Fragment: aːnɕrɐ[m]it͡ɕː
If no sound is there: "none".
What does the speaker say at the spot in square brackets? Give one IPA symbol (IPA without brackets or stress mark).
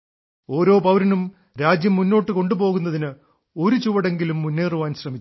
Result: m